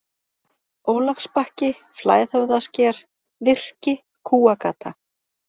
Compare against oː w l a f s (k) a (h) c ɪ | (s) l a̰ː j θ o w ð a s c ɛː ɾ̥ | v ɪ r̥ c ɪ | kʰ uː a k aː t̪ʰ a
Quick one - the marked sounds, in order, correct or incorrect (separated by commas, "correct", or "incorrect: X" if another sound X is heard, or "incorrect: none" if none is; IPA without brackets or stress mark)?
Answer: incorrect: p, correct, incorrect: f